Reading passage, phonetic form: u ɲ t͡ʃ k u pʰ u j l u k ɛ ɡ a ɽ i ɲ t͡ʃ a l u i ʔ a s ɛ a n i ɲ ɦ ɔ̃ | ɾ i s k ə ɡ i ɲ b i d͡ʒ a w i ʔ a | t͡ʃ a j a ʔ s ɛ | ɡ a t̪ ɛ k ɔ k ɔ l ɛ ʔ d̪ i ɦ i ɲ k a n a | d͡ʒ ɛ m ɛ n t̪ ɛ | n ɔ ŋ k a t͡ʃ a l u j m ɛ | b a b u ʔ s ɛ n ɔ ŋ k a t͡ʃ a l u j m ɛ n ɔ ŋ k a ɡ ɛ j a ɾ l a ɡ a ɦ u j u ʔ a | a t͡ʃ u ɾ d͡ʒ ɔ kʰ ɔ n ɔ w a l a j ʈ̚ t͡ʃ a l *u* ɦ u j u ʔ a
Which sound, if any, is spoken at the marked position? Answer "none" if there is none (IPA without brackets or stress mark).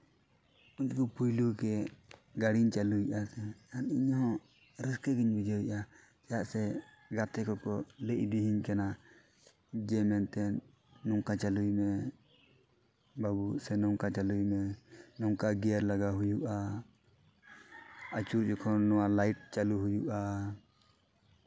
u